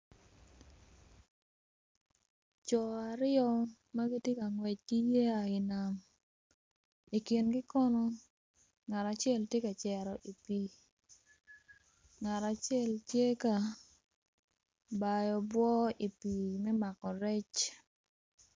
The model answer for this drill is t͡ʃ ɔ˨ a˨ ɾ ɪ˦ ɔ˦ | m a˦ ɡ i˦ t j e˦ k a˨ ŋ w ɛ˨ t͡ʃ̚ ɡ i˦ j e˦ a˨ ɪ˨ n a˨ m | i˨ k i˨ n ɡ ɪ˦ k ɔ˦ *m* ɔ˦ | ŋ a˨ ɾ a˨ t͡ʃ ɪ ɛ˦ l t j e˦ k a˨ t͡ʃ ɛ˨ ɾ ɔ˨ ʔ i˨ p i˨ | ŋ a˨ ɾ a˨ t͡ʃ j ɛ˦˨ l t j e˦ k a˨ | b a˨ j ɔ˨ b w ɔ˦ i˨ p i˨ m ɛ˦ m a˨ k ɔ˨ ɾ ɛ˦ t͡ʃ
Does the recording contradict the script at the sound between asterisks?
yes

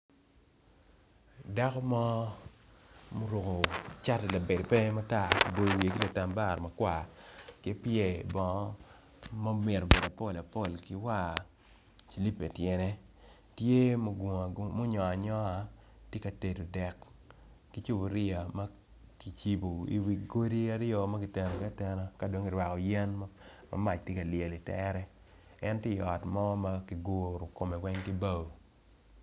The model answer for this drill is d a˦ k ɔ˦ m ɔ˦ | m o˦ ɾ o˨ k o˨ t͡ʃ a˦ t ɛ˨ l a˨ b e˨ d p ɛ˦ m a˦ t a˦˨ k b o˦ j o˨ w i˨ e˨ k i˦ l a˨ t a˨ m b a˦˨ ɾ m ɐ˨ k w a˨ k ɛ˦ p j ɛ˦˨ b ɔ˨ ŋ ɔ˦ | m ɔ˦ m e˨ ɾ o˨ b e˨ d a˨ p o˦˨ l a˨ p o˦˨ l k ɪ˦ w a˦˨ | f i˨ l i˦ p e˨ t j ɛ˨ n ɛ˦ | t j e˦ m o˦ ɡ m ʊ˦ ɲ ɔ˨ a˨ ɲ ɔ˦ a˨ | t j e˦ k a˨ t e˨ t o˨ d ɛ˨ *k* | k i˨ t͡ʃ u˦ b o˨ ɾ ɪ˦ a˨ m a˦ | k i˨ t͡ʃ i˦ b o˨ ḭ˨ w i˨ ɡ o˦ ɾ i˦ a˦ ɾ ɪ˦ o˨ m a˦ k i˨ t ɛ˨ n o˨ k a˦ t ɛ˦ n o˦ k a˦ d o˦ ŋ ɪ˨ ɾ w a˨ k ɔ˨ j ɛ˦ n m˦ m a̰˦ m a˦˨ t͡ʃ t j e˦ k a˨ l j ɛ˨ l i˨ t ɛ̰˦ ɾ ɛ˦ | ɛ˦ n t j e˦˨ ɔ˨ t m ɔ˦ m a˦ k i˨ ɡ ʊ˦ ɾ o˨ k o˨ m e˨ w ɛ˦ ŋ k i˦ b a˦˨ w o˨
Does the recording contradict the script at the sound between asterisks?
no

